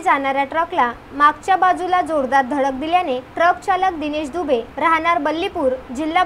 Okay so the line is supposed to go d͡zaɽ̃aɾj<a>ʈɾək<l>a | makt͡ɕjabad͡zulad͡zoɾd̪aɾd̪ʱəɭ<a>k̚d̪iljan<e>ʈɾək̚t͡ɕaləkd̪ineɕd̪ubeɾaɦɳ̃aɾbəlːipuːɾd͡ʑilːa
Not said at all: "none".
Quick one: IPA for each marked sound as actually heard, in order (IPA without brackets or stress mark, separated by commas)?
a, l, ə, e